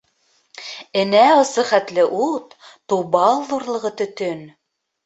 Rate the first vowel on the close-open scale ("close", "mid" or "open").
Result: mid